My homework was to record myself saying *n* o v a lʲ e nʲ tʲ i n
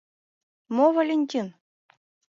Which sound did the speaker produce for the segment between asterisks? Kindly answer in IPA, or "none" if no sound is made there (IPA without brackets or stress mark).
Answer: m